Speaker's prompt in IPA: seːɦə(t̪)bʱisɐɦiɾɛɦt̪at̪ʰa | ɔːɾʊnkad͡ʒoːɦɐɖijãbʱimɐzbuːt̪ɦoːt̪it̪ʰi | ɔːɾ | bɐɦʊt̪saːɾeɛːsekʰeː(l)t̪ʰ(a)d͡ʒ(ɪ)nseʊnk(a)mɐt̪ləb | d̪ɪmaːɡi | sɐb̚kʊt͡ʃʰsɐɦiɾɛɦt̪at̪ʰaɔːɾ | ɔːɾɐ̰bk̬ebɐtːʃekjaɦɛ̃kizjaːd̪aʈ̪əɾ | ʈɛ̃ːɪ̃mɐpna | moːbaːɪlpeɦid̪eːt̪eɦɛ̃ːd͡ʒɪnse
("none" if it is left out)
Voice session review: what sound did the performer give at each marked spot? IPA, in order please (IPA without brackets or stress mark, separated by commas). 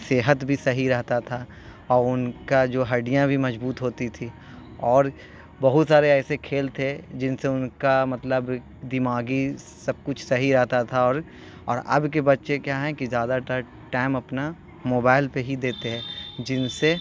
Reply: t̪, l, e, ɪ, a